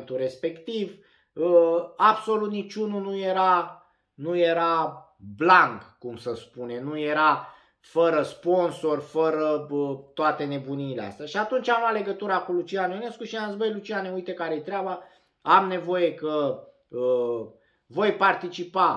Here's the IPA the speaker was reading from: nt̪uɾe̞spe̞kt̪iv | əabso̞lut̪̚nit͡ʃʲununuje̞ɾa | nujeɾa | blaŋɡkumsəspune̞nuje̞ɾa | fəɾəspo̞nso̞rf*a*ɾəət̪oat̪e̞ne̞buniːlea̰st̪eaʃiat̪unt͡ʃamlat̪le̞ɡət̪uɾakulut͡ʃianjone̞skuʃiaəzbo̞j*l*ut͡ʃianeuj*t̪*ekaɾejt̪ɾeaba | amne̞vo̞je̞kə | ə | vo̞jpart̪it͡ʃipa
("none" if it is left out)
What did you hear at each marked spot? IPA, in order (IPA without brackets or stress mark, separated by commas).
ə, l, t̪